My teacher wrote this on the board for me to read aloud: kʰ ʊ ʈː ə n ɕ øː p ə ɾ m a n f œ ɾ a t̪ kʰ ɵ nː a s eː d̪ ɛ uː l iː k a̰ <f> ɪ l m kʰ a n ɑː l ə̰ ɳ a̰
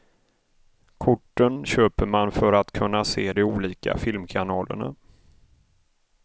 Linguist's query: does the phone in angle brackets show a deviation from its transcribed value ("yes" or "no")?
no